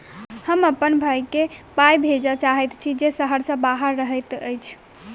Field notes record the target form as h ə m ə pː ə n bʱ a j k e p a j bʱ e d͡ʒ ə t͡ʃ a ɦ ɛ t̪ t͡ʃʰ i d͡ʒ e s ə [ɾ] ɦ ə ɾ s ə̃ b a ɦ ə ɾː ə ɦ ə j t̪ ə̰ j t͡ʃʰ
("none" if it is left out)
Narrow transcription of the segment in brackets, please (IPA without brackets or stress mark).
none